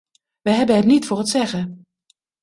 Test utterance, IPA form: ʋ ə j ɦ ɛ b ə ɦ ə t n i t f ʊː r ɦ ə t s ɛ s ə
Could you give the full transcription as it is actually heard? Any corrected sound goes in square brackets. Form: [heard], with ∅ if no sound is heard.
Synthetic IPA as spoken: ʋ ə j ɦ ɛ b ə ɦ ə t n i t f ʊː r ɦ ə t s ɛ [χ] ə